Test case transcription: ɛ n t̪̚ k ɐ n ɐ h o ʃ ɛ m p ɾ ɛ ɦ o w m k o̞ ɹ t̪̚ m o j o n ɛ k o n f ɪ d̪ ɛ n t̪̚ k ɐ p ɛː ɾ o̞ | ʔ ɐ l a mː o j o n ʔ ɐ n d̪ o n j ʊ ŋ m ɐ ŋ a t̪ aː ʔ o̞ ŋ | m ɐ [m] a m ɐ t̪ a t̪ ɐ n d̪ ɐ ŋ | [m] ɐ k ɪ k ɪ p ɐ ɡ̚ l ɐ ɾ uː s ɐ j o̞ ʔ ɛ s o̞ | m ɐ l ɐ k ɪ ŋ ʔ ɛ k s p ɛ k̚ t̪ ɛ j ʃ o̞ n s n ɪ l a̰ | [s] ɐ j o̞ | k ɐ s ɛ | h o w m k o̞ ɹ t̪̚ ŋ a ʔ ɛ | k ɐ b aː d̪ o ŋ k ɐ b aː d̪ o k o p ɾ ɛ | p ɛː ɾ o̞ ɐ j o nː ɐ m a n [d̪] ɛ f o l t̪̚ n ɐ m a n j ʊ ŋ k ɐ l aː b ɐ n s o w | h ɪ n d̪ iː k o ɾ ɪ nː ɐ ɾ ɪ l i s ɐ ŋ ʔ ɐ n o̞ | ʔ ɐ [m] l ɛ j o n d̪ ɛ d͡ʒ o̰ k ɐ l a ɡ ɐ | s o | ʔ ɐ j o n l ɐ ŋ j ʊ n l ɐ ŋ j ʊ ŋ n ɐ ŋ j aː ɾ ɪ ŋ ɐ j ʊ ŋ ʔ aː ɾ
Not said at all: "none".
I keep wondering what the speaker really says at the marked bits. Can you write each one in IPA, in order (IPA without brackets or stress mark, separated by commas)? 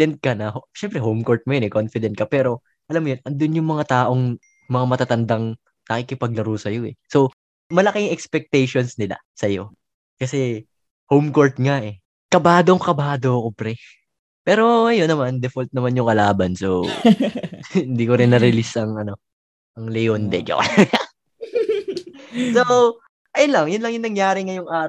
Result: ŋ, n, s, d̪, ŋ